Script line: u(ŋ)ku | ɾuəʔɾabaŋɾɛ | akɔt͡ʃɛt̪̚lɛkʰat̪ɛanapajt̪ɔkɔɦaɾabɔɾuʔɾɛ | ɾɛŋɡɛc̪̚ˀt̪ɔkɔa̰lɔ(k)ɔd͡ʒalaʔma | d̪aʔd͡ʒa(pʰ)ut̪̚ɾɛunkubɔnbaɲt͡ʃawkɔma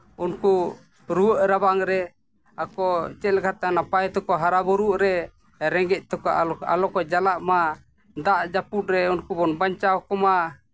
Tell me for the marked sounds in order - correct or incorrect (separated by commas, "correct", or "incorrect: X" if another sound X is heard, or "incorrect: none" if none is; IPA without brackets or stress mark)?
incorrect: n, correct, incorrect: p